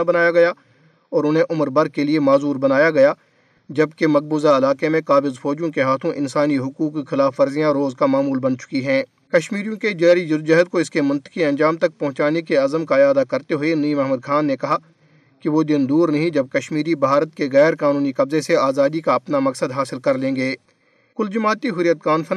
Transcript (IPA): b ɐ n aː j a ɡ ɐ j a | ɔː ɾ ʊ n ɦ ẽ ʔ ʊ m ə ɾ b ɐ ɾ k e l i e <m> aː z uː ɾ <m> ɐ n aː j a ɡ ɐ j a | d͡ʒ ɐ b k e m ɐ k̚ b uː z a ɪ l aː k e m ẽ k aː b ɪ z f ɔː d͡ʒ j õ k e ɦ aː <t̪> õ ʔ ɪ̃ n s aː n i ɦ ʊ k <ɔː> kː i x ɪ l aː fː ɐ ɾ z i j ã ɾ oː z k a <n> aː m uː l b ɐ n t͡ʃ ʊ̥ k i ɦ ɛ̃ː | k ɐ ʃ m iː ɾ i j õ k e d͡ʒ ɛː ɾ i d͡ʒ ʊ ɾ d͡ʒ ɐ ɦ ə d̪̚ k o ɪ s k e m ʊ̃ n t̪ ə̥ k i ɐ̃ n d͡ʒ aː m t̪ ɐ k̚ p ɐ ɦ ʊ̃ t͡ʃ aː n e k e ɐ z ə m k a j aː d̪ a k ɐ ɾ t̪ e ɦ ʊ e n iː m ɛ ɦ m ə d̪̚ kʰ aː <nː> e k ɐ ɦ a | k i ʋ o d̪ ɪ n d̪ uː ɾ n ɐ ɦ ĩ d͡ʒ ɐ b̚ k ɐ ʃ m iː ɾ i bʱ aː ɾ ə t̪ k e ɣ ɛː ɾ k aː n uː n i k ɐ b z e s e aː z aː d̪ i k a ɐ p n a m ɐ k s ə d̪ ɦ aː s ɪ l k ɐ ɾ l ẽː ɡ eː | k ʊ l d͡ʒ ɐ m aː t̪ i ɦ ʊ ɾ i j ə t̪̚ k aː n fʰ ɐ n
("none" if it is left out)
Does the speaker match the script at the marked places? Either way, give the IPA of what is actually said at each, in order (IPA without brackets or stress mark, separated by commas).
m, b, t̪ʰ, uː, m, nː